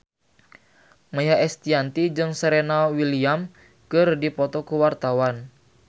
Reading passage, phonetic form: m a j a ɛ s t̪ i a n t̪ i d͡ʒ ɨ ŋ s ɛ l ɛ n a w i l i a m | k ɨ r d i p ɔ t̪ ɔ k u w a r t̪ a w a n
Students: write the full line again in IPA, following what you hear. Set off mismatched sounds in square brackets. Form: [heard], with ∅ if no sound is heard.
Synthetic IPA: m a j a ɛ s t̪ i a n t̪ i d͡ʒ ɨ ŋ s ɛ [ɾ] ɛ n a w i l i a m | k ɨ r d i p ɔ t̪ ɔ k u w a r t̪ a w a n